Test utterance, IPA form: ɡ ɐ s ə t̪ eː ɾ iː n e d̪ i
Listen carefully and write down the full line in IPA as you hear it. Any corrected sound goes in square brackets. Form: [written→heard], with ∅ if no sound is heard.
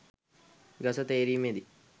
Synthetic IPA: ɡ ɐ s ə t̪ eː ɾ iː [n→m] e d̪ i